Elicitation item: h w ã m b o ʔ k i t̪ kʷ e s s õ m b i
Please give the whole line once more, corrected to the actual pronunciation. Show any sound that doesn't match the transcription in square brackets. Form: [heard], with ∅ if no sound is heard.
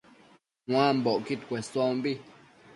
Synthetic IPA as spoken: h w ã m b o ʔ k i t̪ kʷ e s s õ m b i